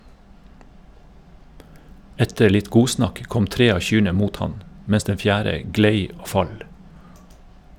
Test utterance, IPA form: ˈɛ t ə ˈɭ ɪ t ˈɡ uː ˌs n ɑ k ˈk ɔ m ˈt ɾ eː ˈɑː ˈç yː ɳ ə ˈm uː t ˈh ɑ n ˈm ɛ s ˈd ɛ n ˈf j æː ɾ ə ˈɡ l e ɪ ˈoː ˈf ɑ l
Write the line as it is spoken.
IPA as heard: ˈɛ t ə ˈɭ ɪ t ˈɡ uː ˌs n ɑ k ˈk ɔ m ˈt ɾ eː ˈɑː ˈç yː ɳ ə ˈm uː t ˈh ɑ n ˈm ɛ s ˈd ɛ n ˈf j æː ɾ ə ˈɡ l e ɪ ˈoː ˈf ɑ l